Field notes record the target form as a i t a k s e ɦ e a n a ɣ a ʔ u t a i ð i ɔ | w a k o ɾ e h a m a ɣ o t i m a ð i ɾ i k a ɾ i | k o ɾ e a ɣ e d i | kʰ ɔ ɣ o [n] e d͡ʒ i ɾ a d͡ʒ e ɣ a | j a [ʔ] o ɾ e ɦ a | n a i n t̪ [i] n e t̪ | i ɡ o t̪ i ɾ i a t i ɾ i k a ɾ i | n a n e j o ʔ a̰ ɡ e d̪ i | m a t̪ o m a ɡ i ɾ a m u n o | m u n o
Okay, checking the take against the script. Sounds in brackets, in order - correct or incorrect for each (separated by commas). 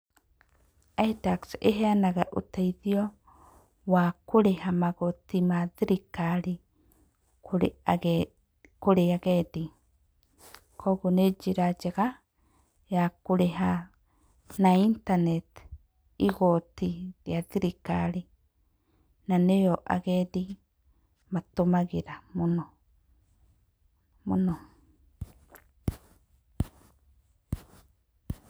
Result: correct, incorrect, incorrect